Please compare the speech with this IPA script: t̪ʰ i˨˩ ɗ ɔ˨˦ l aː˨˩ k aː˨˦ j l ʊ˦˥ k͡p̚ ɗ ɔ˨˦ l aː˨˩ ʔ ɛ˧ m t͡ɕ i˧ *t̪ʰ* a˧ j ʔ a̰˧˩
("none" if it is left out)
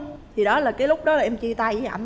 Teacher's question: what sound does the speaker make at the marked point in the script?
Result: t̪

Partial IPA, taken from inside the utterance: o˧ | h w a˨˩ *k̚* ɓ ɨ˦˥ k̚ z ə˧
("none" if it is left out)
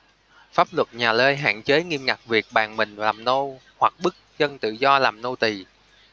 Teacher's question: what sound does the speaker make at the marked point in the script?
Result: k̚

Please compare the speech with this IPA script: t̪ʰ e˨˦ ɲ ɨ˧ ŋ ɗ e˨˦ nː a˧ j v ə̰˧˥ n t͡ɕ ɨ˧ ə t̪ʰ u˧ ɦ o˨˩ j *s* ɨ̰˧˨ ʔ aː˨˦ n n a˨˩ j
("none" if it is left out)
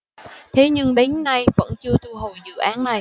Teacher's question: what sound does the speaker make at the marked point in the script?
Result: z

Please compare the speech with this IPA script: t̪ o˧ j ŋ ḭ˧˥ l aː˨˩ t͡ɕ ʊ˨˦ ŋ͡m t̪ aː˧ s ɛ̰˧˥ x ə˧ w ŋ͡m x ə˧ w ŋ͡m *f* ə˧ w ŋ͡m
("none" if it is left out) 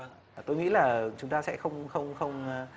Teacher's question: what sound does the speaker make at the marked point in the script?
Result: x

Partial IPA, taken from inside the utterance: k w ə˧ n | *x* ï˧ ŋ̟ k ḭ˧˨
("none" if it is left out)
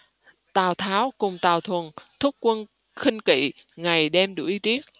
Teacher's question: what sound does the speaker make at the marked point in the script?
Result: x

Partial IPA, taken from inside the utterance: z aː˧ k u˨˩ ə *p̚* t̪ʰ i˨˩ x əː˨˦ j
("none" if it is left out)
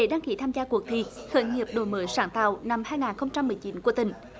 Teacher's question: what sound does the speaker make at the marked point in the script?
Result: k̚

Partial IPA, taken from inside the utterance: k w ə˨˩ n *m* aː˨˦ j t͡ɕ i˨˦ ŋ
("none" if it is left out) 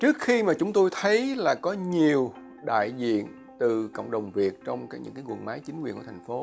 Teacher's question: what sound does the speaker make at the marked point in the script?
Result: m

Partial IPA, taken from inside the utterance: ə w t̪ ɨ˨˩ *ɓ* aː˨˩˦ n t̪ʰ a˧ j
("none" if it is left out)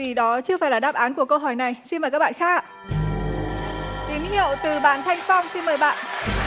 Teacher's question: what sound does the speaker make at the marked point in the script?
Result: ɓ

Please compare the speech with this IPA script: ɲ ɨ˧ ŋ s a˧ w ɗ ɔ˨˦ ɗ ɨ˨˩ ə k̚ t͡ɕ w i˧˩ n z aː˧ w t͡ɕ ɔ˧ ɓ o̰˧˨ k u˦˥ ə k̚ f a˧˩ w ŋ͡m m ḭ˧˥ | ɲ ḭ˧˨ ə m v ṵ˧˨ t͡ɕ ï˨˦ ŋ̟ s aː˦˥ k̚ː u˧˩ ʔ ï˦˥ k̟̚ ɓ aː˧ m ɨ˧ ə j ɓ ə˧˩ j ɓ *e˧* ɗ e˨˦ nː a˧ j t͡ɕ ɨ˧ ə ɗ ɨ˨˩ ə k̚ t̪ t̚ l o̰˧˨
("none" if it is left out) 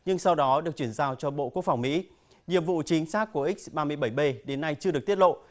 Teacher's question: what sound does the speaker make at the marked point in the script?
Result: e˧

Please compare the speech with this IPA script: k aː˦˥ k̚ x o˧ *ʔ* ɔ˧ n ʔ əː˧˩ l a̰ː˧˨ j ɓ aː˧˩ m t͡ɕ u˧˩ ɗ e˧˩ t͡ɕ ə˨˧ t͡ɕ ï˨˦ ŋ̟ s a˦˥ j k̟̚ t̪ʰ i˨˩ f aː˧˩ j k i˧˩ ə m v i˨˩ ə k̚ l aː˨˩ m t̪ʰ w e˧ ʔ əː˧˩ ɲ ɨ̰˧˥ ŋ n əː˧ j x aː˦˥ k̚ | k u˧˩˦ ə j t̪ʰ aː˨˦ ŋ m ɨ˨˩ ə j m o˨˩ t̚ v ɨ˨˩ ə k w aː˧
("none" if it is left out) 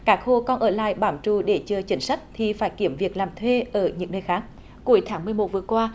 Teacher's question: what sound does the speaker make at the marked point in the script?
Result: k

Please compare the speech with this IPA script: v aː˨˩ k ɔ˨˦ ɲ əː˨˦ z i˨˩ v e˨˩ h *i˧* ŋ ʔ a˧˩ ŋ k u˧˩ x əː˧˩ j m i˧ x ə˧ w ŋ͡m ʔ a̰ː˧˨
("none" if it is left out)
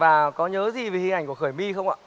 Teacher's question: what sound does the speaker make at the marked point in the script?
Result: i˧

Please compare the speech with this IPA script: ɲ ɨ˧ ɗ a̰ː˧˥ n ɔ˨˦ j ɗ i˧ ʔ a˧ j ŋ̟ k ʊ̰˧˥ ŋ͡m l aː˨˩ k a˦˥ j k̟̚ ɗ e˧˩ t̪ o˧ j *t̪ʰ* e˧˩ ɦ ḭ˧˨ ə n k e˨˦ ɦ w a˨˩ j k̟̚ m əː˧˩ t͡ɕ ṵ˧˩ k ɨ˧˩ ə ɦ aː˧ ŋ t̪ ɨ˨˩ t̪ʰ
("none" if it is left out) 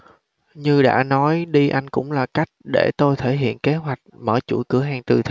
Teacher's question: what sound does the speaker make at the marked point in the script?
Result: t̪ʰ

